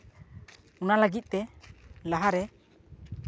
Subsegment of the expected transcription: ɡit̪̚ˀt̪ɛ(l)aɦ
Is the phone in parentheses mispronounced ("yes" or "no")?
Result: no